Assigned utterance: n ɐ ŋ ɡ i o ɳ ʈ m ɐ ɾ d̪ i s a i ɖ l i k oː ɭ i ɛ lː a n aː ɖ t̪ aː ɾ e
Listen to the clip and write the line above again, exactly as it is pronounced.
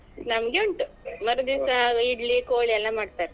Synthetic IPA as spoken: n ɐ m ɡ e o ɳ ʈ m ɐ ɾ d̪ i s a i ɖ l i k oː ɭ i ɛ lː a m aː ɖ t̪ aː ɾ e